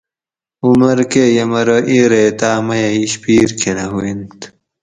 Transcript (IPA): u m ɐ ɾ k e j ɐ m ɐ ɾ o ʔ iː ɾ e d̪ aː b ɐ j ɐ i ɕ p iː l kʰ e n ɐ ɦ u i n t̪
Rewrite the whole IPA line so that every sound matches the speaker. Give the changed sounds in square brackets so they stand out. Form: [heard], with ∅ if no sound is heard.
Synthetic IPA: u m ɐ ɾ k e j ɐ m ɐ ɾ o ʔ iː ɾ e [t̪] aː [m] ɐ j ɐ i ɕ p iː [ɾ] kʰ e n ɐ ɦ u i n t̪